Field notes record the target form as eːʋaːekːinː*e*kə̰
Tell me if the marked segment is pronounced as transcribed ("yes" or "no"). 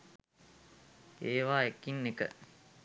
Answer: yes